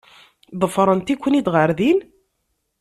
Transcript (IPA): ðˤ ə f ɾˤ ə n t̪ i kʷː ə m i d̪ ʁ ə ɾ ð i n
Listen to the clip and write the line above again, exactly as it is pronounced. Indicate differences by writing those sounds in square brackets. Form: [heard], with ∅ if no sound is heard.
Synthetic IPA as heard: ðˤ ə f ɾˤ ə n t̪ i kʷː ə [n] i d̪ ʁ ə ɾ ð i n